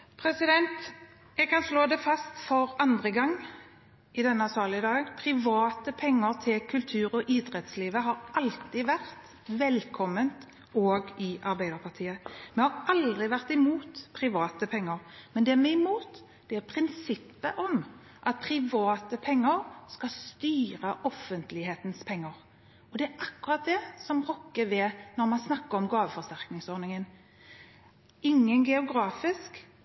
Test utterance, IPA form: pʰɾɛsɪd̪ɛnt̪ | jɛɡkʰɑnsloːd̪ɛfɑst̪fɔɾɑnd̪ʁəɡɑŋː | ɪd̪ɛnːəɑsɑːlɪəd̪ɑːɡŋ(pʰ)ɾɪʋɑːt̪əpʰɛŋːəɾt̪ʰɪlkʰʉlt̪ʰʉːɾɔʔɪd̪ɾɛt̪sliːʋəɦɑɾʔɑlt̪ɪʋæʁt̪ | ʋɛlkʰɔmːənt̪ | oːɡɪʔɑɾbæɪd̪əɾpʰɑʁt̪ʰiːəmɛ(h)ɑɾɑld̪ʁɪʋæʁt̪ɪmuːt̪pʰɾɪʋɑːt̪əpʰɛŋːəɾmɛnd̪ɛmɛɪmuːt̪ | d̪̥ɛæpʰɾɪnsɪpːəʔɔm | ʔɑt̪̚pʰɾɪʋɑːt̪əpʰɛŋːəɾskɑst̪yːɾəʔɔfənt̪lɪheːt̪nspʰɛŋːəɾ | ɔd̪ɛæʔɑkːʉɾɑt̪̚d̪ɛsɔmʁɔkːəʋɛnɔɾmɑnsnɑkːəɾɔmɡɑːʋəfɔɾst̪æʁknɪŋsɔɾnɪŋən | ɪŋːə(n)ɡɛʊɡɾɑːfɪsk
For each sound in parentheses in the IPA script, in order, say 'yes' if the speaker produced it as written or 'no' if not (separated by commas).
yes, yes, yes